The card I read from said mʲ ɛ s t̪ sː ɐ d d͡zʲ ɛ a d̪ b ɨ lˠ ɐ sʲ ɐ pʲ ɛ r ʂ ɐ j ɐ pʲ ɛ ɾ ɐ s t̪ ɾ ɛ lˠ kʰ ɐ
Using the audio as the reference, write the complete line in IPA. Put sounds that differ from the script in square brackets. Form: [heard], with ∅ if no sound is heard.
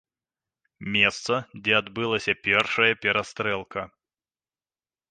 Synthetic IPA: mʲ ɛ s t̪ [s] ɐ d d͡zʲ ɛ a d̪ b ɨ lˠ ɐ sʲ ɐ pʲ ɛ r ʂ ɐ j ɐ pʲ ɛ ɾ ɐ s t̪ ɾ ɛ lˠ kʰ ɐ